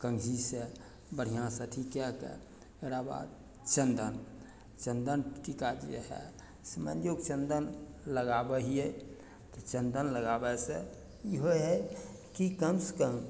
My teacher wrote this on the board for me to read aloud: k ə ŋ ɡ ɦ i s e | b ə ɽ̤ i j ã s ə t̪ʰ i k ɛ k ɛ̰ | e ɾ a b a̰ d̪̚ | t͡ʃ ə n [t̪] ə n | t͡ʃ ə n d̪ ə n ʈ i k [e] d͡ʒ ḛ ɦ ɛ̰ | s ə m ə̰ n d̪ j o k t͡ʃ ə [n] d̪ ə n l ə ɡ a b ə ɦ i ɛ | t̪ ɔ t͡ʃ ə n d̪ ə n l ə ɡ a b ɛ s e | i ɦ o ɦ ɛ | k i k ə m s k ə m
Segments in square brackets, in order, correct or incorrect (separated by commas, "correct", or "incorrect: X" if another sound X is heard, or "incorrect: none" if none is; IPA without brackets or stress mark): incorrect: d̪, incorrect: a, correct